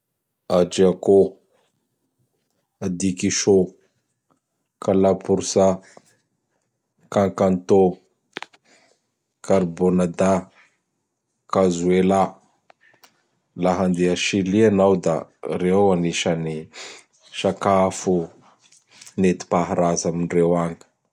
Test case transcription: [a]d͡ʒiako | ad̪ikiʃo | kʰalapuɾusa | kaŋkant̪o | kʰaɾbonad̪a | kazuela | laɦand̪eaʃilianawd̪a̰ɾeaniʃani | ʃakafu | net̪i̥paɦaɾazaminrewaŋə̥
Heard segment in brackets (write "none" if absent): a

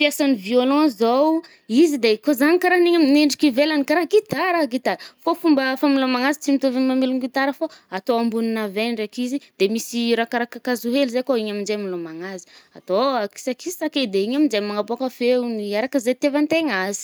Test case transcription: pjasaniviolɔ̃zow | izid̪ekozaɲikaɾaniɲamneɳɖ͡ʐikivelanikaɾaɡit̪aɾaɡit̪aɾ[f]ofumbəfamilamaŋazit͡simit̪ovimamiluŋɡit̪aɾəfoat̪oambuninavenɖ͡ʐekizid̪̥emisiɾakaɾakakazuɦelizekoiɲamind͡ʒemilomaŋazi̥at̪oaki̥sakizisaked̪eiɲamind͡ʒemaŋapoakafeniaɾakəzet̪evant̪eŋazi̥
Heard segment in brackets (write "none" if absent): f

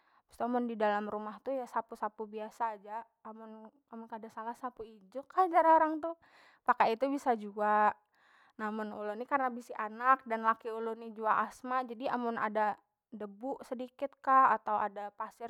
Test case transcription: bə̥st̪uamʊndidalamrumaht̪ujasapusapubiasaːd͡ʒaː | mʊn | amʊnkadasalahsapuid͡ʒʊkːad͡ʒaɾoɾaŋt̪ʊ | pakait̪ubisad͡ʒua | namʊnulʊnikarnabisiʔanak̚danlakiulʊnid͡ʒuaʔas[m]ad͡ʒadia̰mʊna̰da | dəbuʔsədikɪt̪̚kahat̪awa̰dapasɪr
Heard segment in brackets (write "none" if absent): m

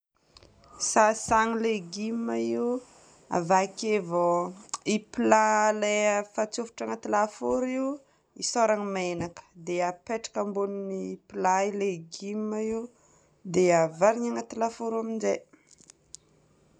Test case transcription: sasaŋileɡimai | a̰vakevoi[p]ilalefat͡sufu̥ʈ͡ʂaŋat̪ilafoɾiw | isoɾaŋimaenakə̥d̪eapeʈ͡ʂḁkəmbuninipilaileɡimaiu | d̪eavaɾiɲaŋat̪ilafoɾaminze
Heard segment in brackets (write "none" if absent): p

